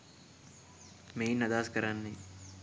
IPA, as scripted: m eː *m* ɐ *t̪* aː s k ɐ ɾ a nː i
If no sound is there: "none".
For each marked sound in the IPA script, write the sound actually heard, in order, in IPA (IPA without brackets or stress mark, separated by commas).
n, d̪